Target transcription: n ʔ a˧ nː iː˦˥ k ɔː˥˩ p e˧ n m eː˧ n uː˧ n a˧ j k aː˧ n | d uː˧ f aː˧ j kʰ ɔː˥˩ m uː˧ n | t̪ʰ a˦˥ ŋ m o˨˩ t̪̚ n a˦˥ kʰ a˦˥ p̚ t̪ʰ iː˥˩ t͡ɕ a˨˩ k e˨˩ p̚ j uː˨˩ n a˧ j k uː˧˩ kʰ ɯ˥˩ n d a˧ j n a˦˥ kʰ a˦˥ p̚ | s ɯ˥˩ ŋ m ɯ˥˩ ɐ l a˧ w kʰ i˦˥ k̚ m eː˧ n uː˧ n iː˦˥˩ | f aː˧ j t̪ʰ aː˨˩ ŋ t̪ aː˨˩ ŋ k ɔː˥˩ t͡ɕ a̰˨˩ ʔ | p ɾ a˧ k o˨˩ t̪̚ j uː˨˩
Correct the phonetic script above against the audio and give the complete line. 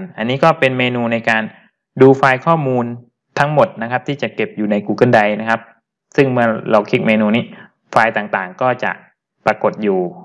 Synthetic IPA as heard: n ʔ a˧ nː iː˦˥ k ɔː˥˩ p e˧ n m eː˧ n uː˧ n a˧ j k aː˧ n | d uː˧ f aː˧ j kʰ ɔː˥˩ m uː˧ n | t̪ʰ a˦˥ ŋ m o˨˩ t̪̚ n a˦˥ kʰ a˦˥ p̚ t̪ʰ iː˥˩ t͡ɕ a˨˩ k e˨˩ p̚ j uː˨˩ n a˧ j k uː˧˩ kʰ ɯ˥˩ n d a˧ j n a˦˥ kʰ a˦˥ p̚ | s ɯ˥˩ ŋ m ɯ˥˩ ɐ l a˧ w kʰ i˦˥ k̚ m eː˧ n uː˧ n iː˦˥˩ | f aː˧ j t̪ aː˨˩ ŋ t̪ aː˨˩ ŋ k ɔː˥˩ t͡ɕ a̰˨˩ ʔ | p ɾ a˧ k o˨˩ t̪̚ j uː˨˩